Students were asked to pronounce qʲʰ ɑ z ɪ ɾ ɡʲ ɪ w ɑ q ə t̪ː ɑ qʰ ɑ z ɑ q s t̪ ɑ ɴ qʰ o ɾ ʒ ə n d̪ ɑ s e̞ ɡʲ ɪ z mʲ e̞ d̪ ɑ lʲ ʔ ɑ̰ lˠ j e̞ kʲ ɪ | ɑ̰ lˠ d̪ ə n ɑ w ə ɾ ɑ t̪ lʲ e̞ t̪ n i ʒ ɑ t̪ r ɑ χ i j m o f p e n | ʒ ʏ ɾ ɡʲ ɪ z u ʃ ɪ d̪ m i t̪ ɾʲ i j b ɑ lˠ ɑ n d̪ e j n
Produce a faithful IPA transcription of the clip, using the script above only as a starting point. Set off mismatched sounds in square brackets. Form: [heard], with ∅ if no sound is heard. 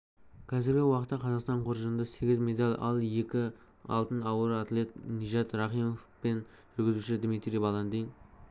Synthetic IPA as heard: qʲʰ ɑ z ɪ ɾ ɡʲ ɪ w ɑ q ə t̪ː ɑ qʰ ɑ z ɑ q s t̪ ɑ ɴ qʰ o ɾ ʒ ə n d̪ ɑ s e̞ ɡʲ ɪ z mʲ e̞ d̪ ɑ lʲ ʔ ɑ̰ lˠ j e̞ kʲ ɪ | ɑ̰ lˠ [t̪] ə n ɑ w ə ɾ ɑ t̪ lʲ e̞ t̪ n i ʒ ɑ t̪ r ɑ χ i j m o f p e n | ʒ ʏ ɾ ɡʲ ɪ z u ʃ ɪ d̪ m i t̪ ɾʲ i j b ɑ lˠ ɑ n d̪ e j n